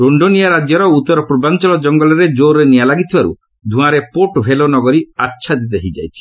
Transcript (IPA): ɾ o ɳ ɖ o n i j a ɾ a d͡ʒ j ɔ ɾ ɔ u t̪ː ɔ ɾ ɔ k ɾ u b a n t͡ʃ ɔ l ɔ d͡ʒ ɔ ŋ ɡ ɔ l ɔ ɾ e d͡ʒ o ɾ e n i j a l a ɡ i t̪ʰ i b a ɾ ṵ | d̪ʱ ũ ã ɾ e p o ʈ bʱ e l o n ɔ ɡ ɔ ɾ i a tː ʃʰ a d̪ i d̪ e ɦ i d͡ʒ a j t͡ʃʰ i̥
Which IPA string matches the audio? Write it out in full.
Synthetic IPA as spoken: ɾ o ɳ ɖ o n i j a ɾ a d͡ʒ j ɔ ɾ ɔ u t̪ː ɔ ɾ ɔ p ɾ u b a n t͡ʃ ɔ l ɔ d͡ʒ ɔ ŋ ɡ ɔ l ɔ ɾ e d͡ʒ o ɾ e n i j a l a ɡ i t̪ʰ i b a ɾ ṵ | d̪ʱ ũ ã ɾ e p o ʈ bʱ e l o n ɔ ɡ ɔ ɾ i a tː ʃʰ a d̪ i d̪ e ɦ i d͡ʒ a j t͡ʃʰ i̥